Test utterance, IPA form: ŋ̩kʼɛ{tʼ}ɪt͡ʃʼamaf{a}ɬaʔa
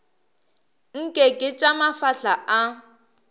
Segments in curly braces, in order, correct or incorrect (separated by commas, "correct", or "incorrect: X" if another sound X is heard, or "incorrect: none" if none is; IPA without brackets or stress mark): incorrect: kʼ, correct